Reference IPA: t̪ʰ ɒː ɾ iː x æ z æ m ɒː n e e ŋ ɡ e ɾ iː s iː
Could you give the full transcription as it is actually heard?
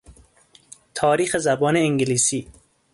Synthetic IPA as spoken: t̪ʰ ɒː ɾ iː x e z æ b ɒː n e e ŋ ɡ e l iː s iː